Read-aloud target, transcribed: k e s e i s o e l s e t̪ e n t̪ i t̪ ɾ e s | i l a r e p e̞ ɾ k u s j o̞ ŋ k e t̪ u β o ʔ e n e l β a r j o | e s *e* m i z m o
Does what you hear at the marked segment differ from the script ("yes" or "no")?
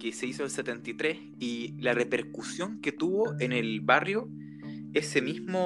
no